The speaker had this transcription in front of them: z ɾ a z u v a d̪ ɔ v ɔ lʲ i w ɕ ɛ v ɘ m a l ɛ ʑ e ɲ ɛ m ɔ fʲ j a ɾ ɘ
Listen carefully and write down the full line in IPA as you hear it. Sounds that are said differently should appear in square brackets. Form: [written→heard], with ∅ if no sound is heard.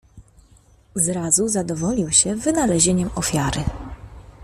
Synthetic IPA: z ɾ a z u [v→z] a d̪ ɔ v ɔ lʲ i w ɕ ɛ v ɘ [m→n] a l ɛ ʑ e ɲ ɛ m ɔ fʲ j a ɾ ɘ